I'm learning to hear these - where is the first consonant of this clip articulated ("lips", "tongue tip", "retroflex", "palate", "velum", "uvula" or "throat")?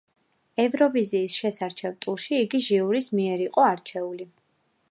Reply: lips